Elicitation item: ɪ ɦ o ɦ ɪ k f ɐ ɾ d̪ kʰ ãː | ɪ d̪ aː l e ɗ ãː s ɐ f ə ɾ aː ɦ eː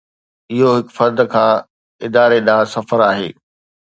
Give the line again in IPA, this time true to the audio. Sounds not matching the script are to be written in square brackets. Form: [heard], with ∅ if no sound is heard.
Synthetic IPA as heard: ɪ ɦ o ɦ ɪ k f ɐ ɾ d̪ kʰ ãː | ɪ d̪ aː [ɾ] e ɗ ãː s ɐ f ə ɾ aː ɦ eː